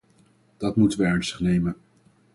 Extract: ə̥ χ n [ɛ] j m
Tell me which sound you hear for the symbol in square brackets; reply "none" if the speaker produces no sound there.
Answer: e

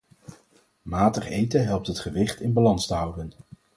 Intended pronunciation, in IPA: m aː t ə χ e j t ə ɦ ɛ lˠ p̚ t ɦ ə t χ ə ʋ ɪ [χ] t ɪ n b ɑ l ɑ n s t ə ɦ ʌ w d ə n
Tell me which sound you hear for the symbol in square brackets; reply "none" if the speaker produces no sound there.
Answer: χ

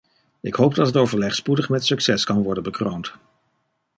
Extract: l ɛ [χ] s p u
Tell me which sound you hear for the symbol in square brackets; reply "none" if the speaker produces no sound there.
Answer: χ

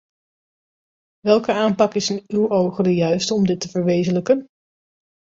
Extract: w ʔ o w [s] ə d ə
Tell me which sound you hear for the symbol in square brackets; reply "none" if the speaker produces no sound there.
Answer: χ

